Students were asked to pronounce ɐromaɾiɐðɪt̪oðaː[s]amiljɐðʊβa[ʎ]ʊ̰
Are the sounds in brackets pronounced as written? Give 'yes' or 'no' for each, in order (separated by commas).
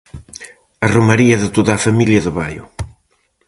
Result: no, no